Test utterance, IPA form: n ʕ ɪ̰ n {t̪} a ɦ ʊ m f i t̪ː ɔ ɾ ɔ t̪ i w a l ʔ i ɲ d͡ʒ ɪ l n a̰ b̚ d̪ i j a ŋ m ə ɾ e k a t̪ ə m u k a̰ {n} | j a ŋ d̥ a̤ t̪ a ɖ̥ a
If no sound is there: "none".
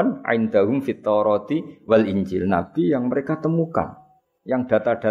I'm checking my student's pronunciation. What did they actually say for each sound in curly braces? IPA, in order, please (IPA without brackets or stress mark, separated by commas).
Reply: d̪, n